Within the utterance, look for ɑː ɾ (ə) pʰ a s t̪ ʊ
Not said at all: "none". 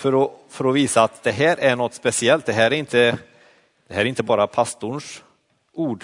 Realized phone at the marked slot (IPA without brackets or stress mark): a